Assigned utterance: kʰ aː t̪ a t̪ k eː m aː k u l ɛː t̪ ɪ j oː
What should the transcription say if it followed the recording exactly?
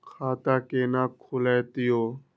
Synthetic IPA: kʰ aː t̪ a k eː n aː kʰ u l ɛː t̪ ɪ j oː